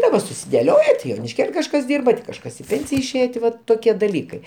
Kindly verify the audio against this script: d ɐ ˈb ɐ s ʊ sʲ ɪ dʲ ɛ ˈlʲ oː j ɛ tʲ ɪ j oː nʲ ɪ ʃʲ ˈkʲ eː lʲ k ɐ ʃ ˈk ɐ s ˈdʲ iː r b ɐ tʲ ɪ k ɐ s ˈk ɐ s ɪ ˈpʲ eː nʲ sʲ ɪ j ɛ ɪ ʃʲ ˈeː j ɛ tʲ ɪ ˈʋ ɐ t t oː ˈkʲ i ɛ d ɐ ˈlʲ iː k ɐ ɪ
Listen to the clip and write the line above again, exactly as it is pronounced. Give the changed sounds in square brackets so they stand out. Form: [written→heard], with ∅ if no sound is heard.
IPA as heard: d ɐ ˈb ɐ s ʊ sʲ ɪ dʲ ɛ ˈlʲ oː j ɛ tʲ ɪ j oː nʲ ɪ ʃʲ ˈkʲ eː lʲ k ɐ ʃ ˈk ɐ s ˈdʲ iː r b ɐ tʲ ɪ k ɐ [s→ʃ] ˈk ɐ s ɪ ˈpʲ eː nʲ sʲ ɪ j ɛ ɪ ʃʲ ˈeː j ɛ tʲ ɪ ˈʋ ɐ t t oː ˈkʲ i ɛ d ɐ ˈlʲ iː k ɐ ɪ